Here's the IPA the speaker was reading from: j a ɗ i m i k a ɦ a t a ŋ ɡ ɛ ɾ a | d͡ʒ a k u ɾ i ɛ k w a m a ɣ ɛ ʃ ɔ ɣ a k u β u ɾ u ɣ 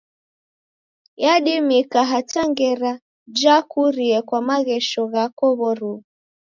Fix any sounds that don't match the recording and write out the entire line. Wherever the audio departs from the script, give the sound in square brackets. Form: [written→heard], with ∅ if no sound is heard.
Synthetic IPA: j a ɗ i m i k a ɦ a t a ŋ ɡ ɛ ɾ a | d͡ʒ a k u ɾ i ɛ k w a m a ɣ ɛ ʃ ɔ ɣ a k [u→ɔ] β [u→ɔ] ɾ u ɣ